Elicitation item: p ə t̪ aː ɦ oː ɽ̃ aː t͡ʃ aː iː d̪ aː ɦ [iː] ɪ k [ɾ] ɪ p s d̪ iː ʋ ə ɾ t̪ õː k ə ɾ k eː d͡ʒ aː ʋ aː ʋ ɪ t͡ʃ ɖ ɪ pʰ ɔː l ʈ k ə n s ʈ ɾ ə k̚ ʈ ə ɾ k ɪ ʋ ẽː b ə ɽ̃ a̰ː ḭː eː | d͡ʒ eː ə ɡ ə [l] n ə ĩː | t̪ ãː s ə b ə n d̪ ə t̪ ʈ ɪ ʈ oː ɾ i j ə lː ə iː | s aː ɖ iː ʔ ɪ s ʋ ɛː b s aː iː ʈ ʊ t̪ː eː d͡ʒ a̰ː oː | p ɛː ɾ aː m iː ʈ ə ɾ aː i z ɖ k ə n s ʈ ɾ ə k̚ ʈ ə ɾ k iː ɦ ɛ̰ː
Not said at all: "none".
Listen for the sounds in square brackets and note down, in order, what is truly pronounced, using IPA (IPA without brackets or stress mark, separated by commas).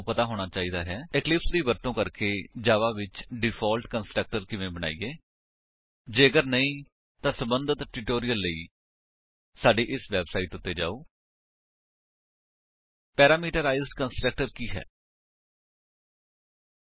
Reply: ɛː, l, ɾ